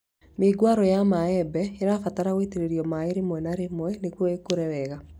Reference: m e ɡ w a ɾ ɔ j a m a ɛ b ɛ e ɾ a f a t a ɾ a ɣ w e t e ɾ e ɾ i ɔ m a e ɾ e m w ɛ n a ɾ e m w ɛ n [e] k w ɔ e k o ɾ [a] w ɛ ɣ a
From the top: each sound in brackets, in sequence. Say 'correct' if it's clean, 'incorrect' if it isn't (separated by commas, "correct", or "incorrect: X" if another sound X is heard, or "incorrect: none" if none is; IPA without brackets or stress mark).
correct, incorrect: ɛ